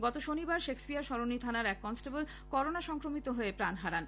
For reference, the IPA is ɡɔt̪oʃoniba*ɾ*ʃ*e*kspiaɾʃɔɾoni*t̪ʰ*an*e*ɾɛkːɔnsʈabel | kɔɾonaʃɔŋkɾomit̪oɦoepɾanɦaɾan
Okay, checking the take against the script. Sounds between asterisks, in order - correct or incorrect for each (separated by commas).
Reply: correct, correct, correct, incorrect